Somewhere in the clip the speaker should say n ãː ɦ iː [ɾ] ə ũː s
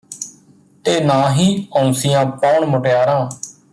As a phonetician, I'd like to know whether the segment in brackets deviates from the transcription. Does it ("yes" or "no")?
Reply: yes